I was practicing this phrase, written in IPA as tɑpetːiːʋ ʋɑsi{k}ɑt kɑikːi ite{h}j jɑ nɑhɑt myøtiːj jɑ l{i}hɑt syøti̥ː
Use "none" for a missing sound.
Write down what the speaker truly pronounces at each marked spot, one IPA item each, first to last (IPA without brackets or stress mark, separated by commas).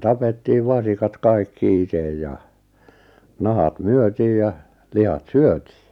k, none, i